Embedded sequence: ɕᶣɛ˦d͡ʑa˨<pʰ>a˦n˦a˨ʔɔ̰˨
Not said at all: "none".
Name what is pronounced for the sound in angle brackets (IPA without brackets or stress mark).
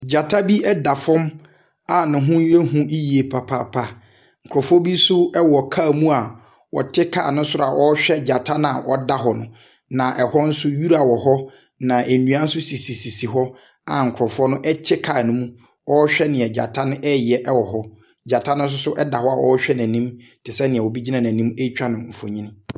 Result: tʰ